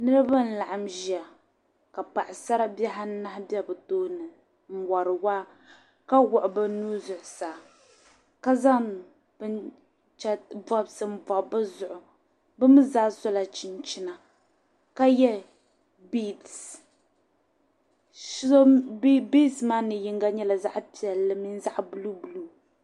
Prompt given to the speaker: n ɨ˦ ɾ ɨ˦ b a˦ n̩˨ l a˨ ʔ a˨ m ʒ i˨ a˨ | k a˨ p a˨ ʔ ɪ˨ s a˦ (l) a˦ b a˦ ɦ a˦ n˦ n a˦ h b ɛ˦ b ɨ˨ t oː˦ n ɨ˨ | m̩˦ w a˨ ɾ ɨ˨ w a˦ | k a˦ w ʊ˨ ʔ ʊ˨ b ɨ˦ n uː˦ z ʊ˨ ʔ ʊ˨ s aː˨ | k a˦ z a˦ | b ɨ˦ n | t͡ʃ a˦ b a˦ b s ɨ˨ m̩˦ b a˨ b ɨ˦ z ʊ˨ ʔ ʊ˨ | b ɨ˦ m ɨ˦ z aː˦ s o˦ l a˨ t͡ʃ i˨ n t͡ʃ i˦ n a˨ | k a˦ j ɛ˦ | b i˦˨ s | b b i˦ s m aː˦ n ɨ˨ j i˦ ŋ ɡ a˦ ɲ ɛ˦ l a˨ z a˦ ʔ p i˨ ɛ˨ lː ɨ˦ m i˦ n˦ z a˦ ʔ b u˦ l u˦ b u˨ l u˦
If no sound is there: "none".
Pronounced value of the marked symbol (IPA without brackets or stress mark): ɾ